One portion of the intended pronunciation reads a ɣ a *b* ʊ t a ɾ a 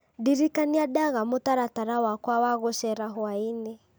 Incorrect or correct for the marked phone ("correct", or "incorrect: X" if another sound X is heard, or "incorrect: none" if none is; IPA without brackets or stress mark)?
incorrect: m